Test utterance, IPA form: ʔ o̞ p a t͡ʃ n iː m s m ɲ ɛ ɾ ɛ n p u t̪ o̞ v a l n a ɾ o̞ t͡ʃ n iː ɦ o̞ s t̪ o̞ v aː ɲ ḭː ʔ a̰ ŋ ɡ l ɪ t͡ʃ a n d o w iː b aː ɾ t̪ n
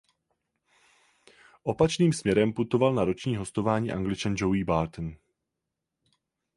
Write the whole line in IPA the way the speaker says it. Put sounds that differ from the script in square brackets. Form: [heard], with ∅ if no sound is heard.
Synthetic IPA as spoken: ʔ o̞ p a t͡ʃ n iː m s m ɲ ɛ ɾ ɛ [m] p u t̪ o̞ v a l n a ɾ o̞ t͡ʃ [ɲ] iː ɦ o̞ s t̪ o̞ v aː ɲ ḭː ʔ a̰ ŋ ɡ l ɪ t͡ʃ a n [d͡ʒ] o w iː b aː ɾ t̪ n